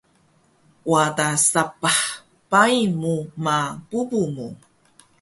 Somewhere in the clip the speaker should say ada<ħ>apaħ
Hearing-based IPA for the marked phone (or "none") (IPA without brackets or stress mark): s